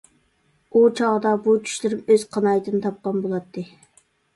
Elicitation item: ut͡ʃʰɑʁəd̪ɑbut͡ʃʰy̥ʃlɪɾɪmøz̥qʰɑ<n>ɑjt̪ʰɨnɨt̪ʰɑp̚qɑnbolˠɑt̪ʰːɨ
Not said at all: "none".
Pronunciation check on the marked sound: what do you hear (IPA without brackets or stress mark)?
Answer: n